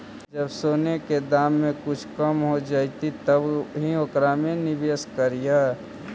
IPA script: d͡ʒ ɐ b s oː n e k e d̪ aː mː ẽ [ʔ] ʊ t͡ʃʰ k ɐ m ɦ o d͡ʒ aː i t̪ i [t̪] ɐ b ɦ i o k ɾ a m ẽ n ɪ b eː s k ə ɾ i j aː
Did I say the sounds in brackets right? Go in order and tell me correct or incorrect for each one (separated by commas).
incorrect, correct